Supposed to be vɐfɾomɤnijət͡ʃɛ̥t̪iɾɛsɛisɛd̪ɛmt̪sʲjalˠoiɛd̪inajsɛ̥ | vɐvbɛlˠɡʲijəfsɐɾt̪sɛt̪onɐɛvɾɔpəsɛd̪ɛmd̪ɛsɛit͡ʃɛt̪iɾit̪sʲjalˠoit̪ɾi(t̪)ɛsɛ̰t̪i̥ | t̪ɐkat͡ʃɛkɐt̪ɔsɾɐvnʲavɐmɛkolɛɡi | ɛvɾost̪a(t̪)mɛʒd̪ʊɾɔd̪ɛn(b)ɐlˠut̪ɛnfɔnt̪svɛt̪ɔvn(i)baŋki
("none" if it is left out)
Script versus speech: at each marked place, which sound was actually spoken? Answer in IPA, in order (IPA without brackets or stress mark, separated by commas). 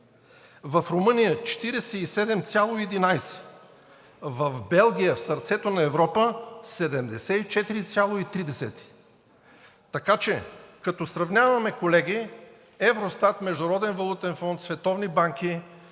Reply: d̪, t̪, v, i